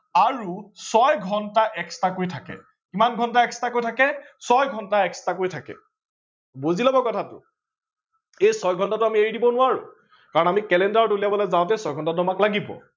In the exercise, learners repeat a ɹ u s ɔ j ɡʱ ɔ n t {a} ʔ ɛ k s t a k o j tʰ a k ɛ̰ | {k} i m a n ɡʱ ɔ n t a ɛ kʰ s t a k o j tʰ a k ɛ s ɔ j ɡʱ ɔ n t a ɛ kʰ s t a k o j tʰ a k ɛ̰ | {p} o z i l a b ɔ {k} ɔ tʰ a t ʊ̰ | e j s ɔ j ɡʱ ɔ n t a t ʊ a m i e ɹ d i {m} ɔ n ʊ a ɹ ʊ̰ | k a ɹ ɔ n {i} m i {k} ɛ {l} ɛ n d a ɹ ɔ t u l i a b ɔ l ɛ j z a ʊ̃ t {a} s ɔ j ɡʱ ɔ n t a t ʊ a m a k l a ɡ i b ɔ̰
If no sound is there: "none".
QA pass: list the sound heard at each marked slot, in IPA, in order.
a, k, b, k, b, a, k, l, ɛ

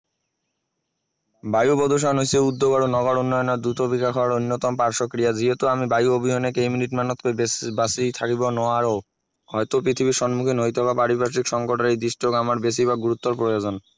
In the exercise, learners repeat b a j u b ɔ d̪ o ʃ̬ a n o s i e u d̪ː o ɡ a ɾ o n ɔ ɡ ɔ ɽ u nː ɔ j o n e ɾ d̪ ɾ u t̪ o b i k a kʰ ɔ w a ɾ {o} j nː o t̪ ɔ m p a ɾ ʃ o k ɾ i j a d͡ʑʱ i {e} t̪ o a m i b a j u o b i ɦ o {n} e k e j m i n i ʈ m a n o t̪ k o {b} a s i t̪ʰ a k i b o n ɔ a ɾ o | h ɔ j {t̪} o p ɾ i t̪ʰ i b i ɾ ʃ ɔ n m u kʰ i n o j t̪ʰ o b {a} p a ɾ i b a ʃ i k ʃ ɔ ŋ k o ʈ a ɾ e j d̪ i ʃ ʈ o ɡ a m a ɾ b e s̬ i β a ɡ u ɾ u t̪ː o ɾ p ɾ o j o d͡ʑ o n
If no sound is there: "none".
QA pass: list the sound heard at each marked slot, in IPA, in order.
o, e, n, b, t̪, a

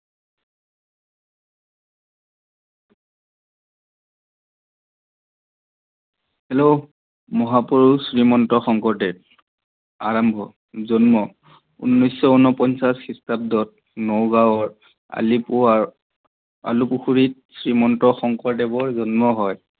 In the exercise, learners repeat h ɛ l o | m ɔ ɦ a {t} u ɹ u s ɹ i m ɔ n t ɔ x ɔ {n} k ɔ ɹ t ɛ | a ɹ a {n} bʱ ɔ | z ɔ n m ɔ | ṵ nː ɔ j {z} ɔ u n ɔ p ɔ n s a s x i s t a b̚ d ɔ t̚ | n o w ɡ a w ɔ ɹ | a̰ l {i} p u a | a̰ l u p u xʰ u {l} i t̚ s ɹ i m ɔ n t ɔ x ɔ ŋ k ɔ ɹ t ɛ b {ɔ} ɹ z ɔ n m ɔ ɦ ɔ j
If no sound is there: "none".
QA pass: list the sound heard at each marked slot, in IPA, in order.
p, ŋ, m, s, i, ɹ, ɔ

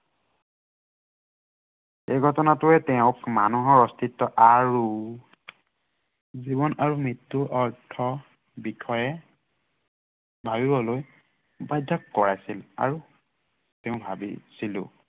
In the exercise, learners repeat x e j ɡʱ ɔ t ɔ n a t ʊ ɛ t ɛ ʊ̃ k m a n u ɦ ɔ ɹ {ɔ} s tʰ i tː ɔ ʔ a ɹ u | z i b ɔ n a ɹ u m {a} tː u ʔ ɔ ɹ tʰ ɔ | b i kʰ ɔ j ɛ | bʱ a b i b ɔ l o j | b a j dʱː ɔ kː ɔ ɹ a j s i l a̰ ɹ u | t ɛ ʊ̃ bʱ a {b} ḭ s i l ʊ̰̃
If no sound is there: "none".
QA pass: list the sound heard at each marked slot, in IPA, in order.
ɔ, i, b

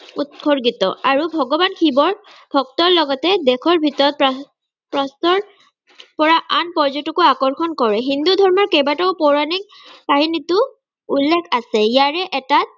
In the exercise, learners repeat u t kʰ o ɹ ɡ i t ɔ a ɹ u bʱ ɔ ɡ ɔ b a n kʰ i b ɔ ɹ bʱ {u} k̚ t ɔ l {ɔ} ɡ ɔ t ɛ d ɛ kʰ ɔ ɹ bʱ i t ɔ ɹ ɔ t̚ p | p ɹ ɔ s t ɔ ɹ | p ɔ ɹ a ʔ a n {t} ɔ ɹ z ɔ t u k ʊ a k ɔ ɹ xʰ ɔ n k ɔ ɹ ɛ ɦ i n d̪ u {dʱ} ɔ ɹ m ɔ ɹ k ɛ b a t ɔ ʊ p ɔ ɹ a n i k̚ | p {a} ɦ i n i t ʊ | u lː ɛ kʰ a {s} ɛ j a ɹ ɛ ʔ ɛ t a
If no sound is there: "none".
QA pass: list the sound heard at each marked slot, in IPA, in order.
ɔ, ɔ, p, dʱ, a, s

